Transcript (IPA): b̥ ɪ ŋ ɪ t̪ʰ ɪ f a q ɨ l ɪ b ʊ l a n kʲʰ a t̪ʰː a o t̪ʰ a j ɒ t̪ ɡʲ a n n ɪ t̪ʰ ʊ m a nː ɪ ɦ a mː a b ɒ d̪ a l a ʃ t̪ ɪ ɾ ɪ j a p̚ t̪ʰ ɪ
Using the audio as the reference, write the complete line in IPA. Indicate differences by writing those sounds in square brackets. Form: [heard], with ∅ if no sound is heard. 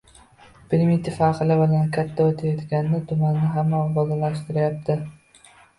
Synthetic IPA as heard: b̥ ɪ [m] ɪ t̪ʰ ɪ f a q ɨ l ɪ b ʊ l a n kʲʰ a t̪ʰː a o t̪ʰ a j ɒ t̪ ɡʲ a n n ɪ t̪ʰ ʊ m a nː ɪ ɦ a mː a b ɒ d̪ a l a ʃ t̪ ɪ ɾ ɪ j a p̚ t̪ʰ ɪ